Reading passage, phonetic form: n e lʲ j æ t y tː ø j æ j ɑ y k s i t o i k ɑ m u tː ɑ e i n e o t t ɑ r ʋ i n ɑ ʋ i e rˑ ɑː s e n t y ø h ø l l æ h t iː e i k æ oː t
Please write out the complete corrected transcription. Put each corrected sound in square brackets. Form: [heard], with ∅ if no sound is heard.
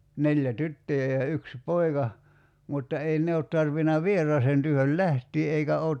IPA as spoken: n e lʲ j æ t y tː ø j æ j ɑ y k s i [p] o i k ɑ m u tː ɑ e i n e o t t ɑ r ʋ i n ɑ ʋ i e rˑ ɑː s e n t y ø h ø l l æ h t iː e i k æ oː t